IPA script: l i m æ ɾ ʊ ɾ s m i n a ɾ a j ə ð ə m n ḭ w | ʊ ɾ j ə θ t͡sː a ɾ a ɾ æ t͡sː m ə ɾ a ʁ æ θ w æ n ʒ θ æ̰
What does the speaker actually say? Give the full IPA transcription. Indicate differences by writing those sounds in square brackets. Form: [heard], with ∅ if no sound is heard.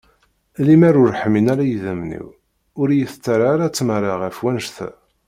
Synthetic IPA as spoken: l i m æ ɾ ʊ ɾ [ħ] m i n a ɾ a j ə ð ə m n ḭ w | ʊ ɾ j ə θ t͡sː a ɾ a ɾ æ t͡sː m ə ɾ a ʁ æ [f] w æ n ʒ θ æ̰